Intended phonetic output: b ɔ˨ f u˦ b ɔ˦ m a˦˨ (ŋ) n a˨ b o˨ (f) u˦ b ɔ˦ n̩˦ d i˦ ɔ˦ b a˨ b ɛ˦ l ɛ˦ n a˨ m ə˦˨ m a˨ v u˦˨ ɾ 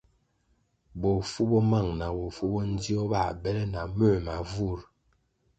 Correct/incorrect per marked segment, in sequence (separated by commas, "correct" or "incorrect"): correct, correct